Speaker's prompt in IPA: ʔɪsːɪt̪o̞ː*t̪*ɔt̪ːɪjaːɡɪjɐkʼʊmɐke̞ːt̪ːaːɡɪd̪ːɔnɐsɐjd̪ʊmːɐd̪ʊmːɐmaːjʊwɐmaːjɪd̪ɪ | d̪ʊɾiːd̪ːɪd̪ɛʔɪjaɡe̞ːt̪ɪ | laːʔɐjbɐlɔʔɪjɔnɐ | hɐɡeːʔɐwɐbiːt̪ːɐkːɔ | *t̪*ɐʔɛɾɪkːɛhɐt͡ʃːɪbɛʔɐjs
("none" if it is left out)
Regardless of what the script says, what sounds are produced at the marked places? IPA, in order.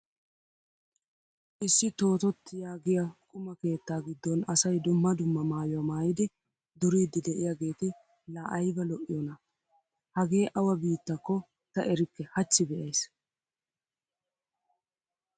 t̪, t̪

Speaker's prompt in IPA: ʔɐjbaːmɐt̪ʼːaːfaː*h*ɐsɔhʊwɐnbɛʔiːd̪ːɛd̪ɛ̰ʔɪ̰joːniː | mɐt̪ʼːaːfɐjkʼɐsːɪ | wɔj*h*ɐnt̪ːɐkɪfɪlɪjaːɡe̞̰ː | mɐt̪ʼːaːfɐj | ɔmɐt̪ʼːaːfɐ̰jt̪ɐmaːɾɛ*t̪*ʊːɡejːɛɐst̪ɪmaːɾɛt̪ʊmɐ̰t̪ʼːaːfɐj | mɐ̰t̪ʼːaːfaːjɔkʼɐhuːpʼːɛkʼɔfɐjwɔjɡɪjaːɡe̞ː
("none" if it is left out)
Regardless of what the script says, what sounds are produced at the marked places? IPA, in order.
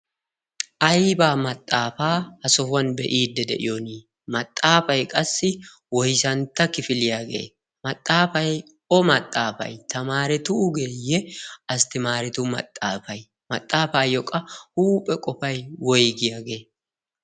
h, s, t̪

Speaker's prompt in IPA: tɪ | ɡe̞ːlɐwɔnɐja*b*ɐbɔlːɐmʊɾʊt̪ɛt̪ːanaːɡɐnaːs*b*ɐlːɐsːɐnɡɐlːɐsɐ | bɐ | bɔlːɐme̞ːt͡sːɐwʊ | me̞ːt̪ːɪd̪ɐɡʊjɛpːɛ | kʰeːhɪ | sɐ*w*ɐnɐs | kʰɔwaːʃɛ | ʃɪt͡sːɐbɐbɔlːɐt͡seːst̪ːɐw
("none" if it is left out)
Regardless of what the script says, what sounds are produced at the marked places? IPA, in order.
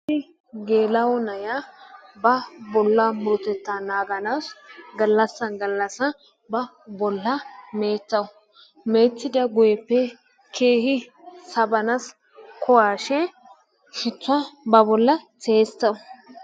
b, ɡ, b

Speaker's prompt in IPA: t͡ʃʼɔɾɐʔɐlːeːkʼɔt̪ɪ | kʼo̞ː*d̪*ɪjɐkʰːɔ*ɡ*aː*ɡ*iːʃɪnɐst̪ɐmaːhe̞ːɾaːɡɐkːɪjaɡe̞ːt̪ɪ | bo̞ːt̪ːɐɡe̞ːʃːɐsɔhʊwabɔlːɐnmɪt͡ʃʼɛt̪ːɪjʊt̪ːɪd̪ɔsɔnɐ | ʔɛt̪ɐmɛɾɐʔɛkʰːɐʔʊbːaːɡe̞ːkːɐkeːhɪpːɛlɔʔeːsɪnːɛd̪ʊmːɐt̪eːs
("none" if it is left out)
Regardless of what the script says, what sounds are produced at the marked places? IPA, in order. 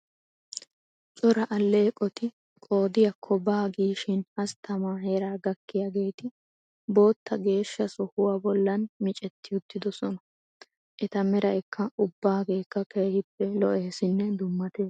d̪, b, ɡ

